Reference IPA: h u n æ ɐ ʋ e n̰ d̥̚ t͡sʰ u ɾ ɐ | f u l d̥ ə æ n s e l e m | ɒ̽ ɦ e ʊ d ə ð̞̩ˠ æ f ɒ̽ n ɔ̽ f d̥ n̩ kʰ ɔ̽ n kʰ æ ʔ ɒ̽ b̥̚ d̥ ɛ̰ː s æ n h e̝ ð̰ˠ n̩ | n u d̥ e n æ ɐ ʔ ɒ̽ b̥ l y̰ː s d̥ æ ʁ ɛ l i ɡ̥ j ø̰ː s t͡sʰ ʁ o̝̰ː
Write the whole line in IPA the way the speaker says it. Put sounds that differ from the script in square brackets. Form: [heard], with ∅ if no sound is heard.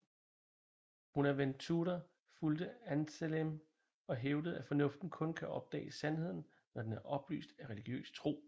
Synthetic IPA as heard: h u n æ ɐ ʋ e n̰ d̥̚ t͡sʰ u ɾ ɐ | f u l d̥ ə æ n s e l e m | ɒ̽ ɦ e ʊ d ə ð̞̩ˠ æ f ɒ̽ n ɔ̽ f d̥ n̩ kʰ ɔ̽ n kʰ æ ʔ ɒ̽ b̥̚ d̥ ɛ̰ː s æ n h e̝ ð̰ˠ n̩ | n [ɒ] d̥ e n æ ɐ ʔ ɒ̽ b̥ l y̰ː s d̥ æ ʁ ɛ l i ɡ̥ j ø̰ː s t͡sʰ ʁ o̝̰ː